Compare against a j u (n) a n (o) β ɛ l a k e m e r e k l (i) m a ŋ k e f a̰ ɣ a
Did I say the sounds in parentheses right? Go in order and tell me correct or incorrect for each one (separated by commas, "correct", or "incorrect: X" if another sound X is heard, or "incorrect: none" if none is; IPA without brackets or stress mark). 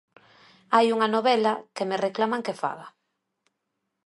incorrect: ŋ, correct, incorrect: a